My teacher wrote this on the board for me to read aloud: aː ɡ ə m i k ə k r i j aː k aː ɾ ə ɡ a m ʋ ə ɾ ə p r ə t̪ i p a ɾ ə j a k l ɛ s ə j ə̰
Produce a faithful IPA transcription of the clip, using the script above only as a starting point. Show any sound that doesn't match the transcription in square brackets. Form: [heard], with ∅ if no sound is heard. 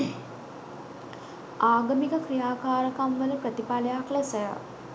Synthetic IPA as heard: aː ɡ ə m i k ə k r i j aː k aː ɾ ə [k] a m ʋ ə [l] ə p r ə t̪ i p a [l] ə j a k l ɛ s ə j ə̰

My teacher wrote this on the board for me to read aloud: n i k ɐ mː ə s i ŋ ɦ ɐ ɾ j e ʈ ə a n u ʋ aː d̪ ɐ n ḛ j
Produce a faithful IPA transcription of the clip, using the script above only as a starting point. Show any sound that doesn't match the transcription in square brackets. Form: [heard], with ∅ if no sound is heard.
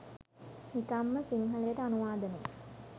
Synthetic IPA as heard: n i k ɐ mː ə s i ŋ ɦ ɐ [l] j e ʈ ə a n u ʋ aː d̪ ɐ n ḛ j

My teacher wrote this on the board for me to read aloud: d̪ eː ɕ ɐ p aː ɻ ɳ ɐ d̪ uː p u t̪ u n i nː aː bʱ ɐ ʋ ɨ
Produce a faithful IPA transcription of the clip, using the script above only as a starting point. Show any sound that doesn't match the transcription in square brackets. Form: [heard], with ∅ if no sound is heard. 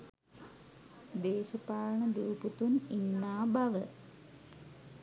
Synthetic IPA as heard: d̪ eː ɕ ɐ p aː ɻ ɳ ɐ d̪ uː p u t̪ u n i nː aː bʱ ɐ ʋ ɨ

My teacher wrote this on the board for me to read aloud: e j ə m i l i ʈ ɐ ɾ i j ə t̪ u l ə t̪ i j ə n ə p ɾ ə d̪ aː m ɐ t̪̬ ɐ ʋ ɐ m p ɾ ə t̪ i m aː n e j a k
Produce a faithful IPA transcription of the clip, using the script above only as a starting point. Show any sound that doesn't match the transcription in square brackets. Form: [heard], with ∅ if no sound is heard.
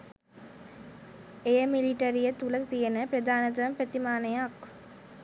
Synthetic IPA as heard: e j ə m i l i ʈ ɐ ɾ i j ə t̪ u l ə t̪ i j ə n ə p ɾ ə d̪ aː [n] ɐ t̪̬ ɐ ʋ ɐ m p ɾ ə t̪ i m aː n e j a k

